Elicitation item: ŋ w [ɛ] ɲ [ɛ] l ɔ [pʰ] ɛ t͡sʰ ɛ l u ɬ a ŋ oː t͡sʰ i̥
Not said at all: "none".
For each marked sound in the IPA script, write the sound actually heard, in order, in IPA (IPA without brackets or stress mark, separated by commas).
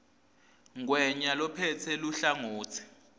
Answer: ɛ, a, pʰ